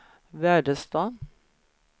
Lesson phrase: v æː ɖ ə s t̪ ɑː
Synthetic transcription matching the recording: ʋ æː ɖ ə s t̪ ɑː